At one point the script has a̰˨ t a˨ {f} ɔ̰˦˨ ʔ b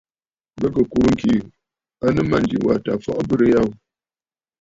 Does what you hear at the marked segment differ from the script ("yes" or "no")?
no